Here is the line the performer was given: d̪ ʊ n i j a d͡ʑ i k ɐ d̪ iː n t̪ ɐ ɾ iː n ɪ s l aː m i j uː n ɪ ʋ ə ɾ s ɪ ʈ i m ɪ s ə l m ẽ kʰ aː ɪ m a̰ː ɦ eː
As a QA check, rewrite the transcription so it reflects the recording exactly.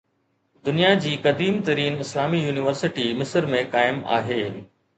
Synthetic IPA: d̪ ʊ n i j a d͡ʑ iː k ɐ d̪ iː m t̪ ɐ ɾ iː n ɪ s l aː m i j uː n ɪ ʋ ə ɾ s ɪ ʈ i m ɪ s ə ɾ m ẽ k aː ɪ m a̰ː ɦ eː